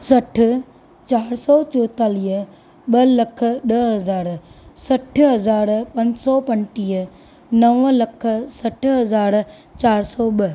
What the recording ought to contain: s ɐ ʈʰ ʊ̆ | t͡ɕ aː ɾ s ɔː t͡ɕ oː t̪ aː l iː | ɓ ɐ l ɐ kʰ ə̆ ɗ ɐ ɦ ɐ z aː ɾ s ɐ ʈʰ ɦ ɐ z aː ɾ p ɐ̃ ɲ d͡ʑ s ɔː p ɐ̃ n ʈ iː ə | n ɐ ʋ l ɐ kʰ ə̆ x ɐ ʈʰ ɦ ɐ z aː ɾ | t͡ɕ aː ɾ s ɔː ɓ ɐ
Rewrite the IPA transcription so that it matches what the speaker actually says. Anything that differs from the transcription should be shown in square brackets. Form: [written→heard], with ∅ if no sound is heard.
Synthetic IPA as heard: s ɐ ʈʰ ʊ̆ | t͡ɕ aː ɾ s ɔː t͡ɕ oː t̪ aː l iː | ɓ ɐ l ɐ kʰ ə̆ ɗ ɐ ɦ ɐ z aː ɾ s ɐ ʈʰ ɦ ɐ z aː ɾ p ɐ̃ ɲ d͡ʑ s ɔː p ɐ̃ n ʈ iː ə | n ɐ ʋ l ɐ kʰ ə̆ [x→s] ɐ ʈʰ ɦ ɐ z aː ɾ | t͡ɕ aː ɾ s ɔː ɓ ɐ

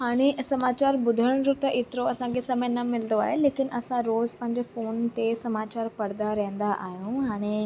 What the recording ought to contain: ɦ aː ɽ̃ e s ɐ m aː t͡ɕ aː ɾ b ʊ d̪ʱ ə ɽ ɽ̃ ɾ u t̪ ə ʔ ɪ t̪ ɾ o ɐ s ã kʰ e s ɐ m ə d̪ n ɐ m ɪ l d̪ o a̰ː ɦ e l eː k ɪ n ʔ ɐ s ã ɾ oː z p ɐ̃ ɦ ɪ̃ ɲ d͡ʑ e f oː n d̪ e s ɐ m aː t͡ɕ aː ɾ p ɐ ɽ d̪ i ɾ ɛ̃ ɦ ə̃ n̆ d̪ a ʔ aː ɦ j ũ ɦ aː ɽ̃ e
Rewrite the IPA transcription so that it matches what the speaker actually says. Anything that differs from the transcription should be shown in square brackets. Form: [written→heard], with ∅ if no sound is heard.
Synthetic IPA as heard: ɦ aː ɽ̃ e s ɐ m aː t͡ɕ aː ɾ b ʊ d̪ʱ ə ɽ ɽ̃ ɾ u t̪ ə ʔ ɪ t̪ ɾ o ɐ s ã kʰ e s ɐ m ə [d̪→∅] n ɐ m ɪ l d̪ o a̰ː ɦ e l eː k ɪ n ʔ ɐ s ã ɾ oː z p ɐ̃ ɦ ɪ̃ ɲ d͡ʑ e f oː n [d̪→t̪] e s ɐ m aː t͡ɕ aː ɾ p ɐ ɽ d̪ [i→a] ɾ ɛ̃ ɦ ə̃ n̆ d̪ a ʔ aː ɦ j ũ ɦ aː ɽ̃ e

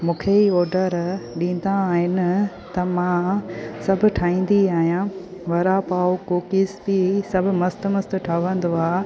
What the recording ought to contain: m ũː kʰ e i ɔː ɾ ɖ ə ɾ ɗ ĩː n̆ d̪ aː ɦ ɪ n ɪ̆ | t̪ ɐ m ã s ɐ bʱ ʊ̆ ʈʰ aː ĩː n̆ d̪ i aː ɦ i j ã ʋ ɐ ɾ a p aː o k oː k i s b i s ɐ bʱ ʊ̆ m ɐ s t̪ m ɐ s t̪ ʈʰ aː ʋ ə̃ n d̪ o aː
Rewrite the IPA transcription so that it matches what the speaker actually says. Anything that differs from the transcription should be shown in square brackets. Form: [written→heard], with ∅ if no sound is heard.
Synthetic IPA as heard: m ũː kʰ e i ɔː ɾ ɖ ə ɾ ɗ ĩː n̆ d̪ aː ɦ ɪ n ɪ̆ | t̪ ɐ m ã s ɐ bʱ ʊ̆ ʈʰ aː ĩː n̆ d̪ i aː ɦ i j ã ʋ ɐ ɾ a p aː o k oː k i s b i s ɐ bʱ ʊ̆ m ɐ s t̪ m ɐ s t̪ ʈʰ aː ʋ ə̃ n d̪ o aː

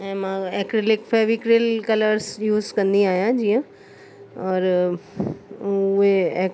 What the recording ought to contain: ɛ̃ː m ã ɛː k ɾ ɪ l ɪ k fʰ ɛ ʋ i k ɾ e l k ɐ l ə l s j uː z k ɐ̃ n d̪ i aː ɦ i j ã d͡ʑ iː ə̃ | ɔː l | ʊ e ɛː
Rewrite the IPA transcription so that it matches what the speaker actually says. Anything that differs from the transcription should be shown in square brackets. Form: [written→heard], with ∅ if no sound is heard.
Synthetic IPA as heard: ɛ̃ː m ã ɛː k ɾ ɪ l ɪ k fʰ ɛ ʋ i k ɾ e l k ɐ l ə [l→ɾ] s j uː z k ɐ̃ n d̪ i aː ɦ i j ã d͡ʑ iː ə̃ | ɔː [l→ɾ] | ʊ e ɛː

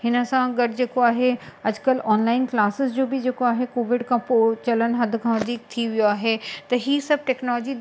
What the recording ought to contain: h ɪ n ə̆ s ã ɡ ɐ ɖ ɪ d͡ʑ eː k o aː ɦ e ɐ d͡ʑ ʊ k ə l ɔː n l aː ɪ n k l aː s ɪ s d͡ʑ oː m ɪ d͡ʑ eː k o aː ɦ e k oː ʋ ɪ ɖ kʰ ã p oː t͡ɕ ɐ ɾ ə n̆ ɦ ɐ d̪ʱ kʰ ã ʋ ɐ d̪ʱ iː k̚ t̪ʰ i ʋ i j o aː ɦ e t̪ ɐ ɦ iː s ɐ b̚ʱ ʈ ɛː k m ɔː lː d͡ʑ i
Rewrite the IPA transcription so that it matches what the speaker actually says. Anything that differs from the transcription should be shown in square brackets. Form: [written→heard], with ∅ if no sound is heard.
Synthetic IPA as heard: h ɪ n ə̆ s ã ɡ ɐ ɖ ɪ d͡ʑ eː k o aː ɦ e ɐ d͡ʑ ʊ k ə l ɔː n l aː ɪ n k l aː s ɪ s d͡ʑ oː [m→b] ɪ d͡ʑ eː k o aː ɦ e k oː ʋ ɪ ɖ kʰ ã p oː t͡ɕ ɐ [ɾ→l] ə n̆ ɦ ɐ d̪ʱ kʰ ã ʋ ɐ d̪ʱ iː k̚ t̪ʰ i ʋ i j o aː ɦ e t̪ ɐ ɦ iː s ɐ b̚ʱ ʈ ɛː k [m→n] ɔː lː d͡ʑ i

